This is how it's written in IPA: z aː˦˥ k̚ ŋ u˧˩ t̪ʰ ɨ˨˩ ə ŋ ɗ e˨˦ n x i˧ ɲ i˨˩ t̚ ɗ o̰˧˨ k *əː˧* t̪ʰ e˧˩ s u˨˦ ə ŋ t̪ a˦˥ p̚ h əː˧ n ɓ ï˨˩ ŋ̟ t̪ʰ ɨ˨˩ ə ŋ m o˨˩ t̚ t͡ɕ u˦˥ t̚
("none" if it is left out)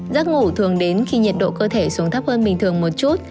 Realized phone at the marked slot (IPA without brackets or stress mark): əː˧